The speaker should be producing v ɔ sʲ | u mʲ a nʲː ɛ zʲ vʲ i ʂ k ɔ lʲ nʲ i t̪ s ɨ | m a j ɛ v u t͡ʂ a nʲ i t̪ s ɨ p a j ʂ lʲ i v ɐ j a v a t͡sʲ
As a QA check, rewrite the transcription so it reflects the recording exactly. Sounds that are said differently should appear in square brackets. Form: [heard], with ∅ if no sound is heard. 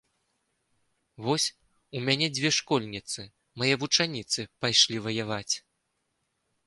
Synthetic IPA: v ɔ sʲ | u mʲ a [nʲ] ɛ [d͡zʲ] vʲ [ɛ] ʂ k ɔ lʲ nʲ i t̪ s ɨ | m a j ɛ v u t͡ʂ a nʲ i t̪ s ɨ p a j ʂ lʲ i v ɐ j a v a t͡sʲ